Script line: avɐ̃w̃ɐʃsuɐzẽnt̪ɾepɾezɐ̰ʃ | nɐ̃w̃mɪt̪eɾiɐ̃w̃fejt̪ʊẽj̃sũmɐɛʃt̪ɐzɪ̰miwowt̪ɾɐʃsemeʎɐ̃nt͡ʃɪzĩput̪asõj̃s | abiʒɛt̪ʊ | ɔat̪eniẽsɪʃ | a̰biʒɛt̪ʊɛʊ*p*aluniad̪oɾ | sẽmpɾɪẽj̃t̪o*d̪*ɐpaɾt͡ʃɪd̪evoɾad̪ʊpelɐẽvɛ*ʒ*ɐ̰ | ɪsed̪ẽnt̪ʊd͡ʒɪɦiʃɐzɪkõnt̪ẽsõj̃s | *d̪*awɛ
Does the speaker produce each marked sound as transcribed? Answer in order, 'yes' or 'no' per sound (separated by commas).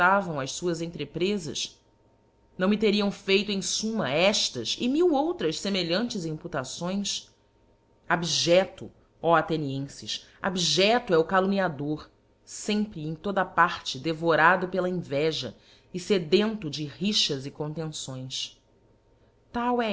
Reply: no, yes, yes, no